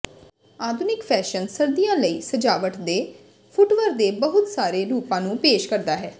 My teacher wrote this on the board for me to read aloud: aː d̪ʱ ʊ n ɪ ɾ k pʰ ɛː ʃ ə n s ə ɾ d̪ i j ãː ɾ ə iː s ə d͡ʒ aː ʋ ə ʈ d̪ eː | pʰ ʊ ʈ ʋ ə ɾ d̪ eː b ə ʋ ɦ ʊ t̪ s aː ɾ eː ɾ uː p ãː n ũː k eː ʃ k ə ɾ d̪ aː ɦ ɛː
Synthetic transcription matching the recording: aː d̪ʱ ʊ n ɪ k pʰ ɛː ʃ ə n s ə ɾ d̪ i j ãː l ə iː s ə d͡ʒ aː ʋ ə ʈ d̪ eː | pʰ ʊ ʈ ʋ ə ɾ d̪ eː b ə ɦ ʊ t̪ s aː ɾ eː ɾ uː p ãː n ũː p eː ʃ k ə ɾ d̪ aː ɦ ɛː